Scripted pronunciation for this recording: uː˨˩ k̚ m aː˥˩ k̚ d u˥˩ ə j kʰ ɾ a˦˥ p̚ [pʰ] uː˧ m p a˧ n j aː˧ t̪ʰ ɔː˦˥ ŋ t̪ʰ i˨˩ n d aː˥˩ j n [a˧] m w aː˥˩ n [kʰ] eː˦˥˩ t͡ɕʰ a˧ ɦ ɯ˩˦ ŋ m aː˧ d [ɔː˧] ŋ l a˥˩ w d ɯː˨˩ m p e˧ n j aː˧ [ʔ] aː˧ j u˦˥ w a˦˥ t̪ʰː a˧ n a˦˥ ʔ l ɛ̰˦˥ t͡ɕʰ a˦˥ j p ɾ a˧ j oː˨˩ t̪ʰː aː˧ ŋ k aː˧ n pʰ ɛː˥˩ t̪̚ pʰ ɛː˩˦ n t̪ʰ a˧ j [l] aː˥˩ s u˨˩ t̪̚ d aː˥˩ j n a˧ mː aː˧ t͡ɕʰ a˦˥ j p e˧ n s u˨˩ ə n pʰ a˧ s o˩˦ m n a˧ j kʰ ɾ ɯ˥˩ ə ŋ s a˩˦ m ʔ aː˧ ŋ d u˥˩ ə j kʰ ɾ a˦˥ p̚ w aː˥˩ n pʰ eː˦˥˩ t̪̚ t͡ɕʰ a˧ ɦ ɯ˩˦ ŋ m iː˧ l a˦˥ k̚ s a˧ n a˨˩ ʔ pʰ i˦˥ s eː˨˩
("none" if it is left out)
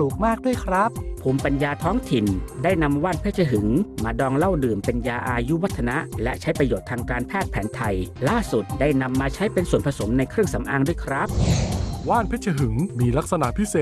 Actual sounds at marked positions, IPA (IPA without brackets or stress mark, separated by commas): pʰ, a˧, pʰ, ɔː˧, ʔ, l